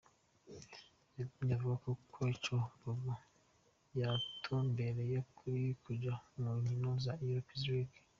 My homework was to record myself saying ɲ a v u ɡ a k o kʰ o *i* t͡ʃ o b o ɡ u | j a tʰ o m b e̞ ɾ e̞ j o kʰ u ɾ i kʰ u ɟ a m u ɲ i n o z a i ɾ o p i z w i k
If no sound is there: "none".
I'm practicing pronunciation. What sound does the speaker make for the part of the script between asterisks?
i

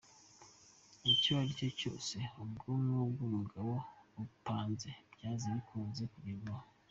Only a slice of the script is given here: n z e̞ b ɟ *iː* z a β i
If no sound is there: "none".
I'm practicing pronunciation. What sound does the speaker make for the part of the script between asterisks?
aː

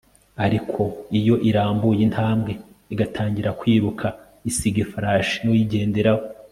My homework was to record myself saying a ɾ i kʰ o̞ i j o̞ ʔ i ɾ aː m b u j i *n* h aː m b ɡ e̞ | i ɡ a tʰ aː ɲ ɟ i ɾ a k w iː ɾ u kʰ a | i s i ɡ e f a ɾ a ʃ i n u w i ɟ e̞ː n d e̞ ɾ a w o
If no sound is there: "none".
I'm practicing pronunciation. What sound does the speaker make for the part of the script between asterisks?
n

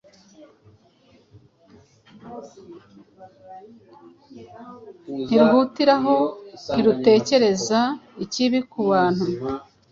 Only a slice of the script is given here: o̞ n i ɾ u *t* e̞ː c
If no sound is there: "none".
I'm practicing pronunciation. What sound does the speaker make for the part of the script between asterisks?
t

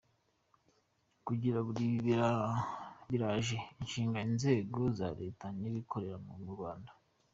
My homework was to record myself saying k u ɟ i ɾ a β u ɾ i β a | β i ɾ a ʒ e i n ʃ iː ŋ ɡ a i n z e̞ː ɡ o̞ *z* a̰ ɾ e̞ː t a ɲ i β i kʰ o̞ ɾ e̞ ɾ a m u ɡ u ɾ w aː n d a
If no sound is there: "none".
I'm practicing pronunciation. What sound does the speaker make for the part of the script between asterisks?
z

